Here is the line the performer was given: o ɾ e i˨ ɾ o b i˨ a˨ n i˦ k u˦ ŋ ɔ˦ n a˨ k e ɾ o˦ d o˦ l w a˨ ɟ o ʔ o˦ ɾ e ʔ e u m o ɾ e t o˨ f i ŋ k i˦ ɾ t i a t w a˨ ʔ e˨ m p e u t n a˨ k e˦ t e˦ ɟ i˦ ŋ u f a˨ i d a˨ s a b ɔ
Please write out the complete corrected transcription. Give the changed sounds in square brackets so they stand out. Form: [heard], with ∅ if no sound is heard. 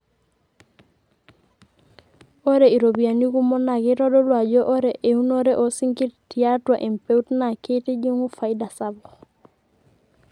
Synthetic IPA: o ɾ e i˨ ɾ o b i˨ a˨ n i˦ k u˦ [m] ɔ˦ n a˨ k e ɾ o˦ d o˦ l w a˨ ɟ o ʔ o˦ ɾ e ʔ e u [n] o ɾ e [ʔ] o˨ [s] i ŋ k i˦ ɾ t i a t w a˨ ʔ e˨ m p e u t n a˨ k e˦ t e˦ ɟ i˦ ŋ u f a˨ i d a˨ s a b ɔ